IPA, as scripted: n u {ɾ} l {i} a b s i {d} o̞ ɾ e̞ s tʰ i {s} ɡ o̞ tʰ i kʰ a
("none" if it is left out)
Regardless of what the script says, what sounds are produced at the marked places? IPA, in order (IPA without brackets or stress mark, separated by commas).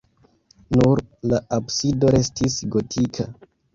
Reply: ɾ, a, d, s